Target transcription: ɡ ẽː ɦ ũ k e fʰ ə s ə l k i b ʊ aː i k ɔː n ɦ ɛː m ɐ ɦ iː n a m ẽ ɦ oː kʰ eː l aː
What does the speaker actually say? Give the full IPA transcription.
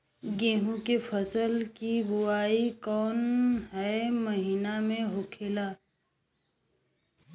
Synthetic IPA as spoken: ɡ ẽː ɦ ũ k e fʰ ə s ə l k i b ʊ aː i k ɔː n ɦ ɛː m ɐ ɦ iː n a m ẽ ɦ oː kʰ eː l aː